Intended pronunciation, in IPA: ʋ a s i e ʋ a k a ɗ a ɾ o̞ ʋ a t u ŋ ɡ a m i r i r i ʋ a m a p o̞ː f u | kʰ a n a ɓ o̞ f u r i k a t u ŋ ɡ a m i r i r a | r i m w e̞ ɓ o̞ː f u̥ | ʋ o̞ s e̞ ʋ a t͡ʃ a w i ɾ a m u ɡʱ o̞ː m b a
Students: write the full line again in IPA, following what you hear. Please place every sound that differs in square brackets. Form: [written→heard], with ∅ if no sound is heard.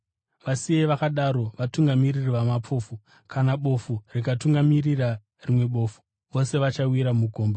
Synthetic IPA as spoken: ʋ a s i e ʋ a k a ɗ a ɾ o̞ ʋ a t u ŋ ɡ a m i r i r i ʋ a m a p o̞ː f u | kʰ a n a ɓ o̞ f u r i k a t u ŋ ɡ a m i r i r a | r i m w e̞ ɓ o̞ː f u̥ | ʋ o̞ s e̞ ʋ a t͡ʃ a w i ɾ a m u ɡʱ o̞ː m b a